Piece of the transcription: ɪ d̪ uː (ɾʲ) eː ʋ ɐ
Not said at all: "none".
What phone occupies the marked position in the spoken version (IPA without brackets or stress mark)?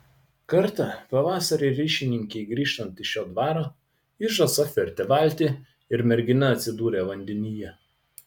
ɾʲ